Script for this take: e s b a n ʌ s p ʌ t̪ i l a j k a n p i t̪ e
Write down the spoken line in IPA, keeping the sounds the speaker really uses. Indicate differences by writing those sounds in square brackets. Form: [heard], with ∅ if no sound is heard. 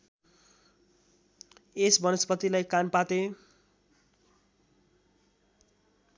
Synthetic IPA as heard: e s b [ʌ] n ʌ s p ʌ t̪ i l a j k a n p [a] t̪ e